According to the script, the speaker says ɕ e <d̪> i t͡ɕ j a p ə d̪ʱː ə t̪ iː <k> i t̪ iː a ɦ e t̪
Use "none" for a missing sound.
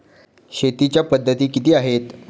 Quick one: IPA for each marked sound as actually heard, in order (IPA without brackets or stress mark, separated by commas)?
t̪, k